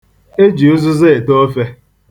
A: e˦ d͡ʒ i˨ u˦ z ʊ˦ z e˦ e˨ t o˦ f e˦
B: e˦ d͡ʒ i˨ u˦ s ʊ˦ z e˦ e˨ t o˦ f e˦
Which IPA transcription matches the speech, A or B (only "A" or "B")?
A